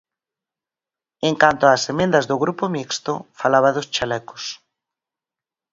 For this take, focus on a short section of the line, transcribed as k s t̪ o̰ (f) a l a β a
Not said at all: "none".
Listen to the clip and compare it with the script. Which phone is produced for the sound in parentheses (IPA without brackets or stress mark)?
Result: f